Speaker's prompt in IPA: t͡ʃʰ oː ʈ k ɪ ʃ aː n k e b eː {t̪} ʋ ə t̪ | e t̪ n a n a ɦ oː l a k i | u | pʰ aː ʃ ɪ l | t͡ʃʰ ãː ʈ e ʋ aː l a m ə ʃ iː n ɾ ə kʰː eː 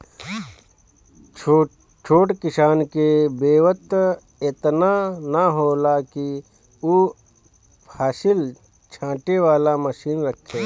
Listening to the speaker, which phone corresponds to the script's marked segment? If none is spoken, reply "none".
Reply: none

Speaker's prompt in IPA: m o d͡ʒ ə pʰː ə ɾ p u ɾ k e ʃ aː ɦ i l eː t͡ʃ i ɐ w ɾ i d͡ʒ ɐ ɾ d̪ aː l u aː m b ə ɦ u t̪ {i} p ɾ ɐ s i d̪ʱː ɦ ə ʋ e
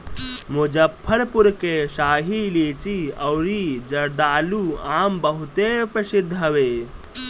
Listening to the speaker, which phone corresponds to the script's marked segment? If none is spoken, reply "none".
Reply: e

